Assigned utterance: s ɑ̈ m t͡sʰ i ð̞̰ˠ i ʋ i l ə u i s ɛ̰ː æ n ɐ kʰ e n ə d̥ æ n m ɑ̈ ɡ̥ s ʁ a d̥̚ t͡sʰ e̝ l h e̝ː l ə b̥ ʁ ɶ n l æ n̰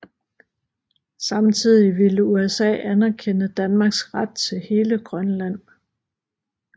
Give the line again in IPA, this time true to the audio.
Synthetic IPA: s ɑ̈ m t͡sʰ i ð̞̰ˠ i ʋ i l ə u e s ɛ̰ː æ n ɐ kʰ e n ə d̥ æ n m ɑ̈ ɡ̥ s ʁ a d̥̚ t͡sʰ e̝ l h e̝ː l ə ɡ̥ ʁ ɶ n l æ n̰